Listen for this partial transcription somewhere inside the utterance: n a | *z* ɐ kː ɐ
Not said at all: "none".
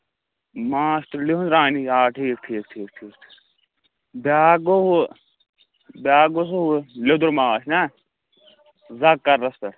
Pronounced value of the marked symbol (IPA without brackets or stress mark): z